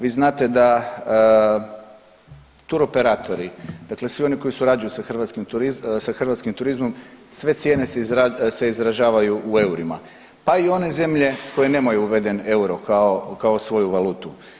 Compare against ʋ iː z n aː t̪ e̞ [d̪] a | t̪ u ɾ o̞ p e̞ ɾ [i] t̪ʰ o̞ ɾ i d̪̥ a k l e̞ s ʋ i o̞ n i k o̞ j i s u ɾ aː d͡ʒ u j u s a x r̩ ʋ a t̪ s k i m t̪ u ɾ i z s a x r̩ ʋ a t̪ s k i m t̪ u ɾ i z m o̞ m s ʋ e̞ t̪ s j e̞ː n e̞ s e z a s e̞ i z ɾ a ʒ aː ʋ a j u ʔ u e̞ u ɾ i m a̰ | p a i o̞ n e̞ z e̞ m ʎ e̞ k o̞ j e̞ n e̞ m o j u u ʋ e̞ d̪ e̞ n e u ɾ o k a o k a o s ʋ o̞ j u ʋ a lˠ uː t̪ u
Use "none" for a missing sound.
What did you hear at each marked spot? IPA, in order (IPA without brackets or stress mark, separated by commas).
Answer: d̪, a